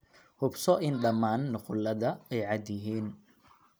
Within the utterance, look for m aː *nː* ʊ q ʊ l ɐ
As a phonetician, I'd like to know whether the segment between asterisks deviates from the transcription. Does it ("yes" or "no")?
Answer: no